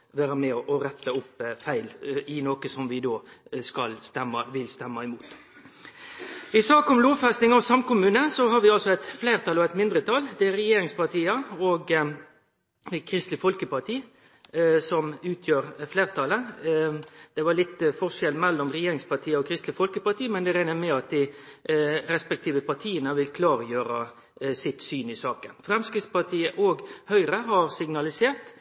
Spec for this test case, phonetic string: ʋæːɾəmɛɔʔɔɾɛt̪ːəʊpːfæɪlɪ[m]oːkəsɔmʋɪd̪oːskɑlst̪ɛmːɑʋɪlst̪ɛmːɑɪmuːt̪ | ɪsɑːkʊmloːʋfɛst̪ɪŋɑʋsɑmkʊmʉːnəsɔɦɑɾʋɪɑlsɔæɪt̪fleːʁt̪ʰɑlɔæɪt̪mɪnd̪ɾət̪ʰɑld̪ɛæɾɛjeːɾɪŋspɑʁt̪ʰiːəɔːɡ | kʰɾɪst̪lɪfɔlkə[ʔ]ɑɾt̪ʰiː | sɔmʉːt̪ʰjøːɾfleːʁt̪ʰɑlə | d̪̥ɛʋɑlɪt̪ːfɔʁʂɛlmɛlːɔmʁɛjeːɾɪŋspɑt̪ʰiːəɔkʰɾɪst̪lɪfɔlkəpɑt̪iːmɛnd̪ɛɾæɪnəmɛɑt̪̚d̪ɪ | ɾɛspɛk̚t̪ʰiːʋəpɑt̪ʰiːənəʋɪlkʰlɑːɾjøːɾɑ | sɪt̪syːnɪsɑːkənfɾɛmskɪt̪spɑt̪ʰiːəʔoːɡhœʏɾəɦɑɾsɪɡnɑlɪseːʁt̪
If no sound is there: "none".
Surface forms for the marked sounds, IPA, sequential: n, p

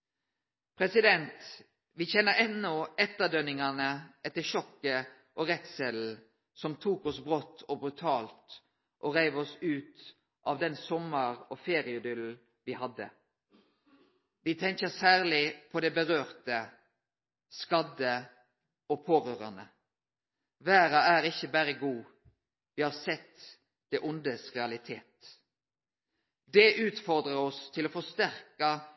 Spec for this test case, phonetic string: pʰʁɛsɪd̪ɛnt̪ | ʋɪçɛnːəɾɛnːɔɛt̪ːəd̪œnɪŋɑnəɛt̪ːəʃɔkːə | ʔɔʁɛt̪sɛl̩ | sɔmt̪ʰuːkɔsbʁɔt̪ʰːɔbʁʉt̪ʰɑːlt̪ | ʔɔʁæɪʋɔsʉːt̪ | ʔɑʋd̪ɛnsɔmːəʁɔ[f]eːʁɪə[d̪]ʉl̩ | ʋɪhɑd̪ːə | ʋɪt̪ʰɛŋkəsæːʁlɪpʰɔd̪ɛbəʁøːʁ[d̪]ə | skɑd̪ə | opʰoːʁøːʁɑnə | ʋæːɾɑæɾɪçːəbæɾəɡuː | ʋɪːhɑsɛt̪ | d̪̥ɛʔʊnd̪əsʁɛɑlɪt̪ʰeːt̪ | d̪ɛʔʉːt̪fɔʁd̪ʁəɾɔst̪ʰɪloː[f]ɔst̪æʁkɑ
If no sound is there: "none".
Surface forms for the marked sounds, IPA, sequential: f, d̪, t̪, f

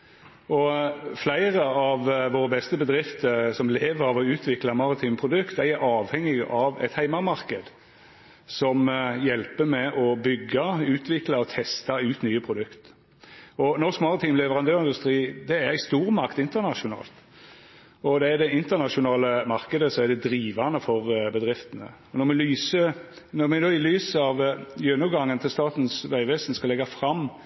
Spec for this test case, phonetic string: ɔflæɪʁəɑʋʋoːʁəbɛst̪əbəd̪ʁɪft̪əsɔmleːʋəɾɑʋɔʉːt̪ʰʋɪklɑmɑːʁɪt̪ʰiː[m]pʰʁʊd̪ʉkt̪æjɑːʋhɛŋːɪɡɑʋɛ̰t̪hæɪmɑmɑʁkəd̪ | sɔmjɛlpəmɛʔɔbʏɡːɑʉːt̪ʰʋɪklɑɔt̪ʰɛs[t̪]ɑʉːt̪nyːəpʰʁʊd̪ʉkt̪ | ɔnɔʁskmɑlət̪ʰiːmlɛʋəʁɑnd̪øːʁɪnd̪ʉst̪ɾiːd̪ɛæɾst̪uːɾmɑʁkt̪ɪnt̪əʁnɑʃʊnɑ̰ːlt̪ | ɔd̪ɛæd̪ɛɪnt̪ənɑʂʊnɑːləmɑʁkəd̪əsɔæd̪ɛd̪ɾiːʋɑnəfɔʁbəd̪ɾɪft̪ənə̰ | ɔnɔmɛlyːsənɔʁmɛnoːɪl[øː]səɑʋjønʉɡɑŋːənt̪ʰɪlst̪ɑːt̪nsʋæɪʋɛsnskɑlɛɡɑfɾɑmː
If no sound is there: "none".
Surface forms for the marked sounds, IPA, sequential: m, t̪, yː

